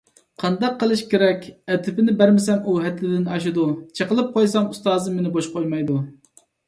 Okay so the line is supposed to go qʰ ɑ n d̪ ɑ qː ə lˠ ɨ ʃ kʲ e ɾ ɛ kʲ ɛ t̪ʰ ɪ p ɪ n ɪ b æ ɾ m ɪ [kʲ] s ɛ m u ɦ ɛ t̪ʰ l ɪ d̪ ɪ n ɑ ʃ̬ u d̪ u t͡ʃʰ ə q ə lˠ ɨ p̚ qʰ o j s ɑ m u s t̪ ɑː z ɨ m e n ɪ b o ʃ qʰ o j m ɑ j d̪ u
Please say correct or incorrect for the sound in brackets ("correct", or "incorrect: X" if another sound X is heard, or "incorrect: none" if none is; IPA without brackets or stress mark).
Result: incorrect: none